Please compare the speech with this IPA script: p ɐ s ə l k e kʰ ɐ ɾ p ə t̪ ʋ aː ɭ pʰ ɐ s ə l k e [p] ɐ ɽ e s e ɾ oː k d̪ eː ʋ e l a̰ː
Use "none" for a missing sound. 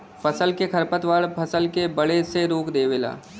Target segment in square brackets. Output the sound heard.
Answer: b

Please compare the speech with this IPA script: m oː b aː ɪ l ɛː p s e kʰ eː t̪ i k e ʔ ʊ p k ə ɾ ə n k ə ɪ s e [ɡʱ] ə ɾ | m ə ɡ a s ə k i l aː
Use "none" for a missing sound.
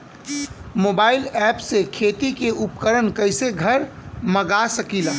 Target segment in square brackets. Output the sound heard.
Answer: ɡʱ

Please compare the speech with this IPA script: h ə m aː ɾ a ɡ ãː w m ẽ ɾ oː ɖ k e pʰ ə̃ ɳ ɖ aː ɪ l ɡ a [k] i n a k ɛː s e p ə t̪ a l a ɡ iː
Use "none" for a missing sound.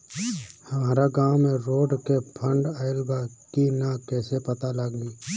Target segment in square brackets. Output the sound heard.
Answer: k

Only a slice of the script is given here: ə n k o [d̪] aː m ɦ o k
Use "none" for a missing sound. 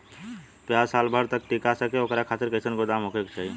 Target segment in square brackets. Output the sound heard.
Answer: d̪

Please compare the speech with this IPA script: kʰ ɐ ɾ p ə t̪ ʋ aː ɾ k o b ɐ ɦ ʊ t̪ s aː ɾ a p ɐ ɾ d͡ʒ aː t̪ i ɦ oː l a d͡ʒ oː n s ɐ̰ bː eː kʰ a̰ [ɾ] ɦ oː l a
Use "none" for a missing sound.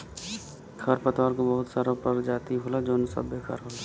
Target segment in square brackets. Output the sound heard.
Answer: ɾ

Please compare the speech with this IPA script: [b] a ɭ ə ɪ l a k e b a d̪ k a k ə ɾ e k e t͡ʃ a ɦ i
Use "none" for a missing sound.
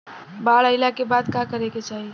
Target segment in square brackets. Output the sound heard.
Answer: b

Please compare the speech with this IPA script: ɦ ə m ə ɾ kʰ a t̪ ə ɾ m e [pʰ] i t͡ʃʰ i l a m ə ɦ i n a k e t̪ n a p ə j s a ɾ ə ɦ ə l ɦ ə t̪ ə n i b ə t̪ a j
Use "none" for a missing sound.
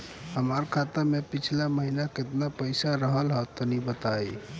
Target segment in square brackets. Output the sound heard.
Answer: p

